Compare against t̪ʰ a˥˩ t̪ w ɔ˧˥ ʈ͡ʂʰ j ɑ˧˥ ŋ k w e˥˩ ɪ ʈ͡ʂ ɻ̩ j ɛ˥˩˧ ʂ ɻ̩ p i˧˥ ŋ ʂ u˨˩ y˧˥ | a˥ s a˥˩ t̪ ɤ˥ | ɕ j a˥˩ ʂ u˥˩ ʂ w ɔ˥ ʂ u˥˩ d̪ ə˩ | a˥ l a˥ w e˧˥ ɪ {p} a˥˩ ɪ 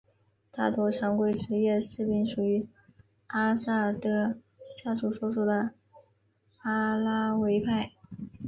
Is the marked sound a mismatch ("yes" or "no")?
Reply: yes